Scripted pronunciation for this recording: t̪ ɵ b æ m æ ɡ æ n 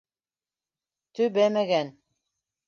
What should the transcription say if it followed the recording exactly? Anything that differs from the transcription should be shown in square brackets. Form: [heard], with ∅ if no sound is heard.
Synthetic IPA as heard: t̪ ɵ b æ m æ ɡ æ n